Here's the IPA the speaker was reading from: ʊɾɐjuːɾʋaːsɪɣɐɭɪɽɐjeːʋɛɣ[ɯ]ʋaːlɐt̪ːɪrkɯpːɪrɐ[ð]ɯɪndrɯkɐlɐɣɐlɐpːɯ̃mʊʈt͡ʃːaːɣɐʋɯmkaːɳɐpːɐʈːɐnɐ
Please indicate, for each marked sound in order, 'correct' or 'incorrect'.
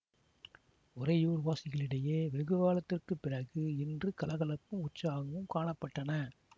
correct, incorrect: ɣ

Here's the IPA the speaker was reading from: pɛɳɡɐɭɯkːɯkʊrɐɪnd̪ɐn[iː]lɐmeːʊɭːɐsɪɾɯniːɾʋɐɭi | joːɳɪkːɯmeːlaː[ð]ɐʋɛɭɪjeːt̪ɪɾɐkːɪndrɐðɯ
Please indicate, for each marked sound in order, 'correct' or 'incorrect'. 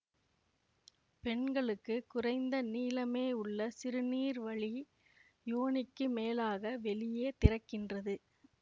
correct, incorrect: ɣ

